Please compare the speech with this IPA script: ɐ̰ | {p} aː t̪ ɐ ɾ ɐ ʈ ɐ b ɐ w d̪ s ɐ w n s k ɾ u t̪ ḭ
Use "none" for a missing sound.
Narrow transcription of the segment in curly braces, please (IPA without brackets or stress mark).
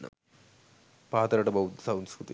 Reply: p